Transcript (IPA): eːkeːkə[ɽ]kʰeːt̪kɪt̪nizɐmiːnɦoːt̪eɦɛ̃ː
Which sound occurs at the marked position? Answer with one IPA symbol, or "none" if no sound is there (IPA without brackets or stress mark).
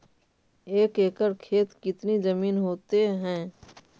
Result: ɾ